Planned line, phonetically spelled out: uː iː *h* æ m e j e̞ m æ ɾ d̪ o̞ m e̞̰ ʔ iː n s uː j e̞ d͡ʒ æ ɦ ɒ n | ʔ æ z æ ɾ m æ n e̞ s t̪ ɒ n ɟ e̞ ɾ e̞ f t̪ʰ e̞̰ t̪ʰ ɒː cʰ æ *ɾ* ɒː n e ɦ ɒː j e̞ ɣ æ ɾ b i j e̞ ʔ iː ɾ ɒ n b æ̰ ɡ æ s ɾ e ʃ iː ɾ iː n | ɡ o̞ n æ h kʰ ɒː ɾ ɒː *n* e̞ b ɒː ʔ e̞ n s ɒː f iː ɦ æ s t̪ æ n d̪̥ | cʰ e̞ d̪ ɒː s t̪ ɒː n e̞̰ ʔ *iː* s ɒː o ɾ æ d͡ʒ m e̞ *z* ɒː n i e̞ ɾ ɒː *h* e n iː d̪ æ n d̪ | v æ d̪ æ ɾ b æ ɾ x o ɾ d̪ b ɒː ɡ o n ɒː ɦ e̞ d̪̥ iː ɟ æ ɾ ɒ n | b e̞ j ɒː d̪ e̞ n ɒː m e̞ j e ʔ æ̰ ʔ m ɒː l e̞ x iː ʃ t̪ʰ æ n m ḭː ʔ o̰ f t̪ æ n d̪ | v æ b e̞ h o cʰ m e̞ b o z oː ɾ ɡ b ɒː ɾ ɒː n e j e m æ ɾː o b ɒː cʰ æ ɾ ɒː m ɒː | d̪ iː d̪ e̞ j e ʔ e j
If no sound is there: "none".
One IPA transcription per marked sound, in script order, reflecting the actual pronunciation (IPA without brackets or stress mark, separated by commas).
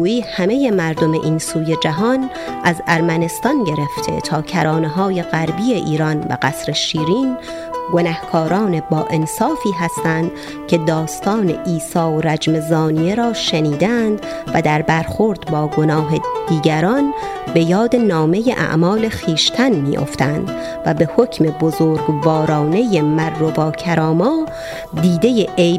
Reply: h, ɾ, n, iː, z, ʃ